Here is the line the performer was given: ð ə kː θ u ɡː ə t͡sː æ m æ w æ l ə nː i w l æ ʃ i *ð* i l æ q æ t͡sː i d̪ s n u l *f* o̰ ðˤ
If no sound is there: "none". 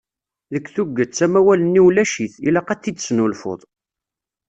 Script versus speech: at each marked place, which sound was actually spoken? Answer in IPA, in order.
θ, f

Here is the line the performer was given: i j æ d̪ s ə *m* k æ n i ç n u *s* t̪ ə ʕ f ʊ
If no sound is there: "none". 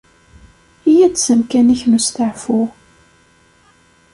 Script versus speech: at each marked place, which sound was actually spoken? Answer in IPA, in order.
m, s

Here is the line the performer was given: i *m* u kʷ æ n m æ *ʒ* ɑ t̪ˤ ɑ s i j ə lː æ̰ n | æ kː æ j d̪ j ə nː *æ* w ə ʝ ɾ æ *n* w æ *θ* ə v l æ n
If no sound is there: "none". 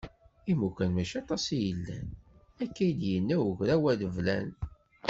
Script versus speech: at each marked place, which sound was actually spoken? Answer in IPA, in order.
m, ʃ, æ, none, ð

